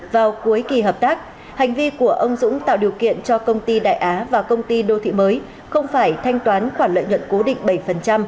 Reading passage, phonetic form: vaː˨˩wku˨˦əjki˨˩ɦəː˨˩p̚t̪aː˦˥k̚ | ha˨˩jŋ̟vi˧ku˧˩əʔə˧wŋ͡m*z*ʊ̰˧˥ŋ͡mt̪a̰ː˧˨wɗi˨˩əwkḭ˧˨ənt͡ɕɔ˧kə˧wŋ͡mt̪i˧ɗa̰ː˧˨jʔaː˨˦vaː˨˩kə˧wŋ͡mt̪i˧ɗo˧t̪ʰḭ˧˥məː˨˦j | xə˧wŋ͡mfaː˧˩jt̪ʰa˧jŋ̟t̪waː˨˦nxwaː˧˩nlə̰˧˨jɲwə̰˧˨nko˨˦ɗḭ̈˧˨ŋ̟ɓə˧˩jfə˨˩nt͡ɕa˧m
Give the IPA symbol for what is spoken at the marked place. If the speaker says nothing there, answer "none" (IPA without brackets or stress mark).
z